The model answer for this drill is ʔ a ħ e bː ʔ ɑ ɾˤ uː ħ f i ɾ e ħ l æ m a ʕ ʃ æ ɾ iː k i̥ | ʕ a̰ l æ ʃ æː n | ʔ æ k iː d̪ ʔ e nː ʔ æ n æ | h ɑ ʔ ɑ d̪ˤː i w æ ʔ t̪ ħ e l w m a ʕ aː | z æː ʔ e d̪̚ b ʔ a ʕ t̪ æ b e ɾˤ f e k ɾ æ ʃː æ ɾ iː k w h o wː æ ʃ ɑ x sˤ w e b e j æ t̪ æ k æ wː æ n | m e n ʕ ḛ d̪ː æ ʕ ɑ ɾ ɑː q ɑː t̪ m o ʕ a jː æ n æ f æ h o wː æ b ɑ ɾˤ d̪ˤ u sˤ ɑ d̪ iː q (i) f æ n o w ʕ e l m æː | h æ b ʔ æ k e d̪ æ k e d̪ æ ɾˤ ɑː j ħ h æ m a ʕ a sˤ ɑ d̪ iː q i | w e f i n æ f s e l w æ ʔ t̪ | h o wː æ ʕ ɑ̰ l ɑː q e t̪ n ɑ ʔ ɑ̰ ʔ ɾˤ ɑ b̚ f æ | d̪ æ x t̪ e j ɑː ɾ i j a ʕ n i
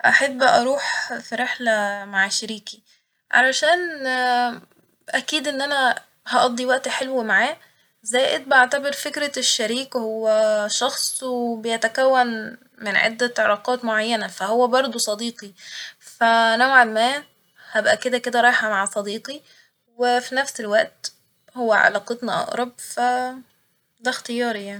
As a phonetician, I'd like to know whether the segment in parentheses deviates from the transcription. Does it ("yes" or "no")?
no